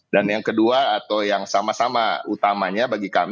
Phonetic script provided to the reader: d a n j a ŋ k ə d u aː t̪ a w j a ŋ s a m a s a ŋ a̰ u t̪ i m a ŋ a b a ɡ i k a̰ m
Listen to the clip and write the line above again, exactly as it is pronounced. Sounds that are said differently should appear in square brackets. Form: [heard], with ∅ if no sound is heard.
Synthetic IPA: d a n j a ŋ k ə d u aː t̪ a w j a ŋ s a m a s a [m] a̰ u t̪ [a] m a [ɲ] a b a ɡ i k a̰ m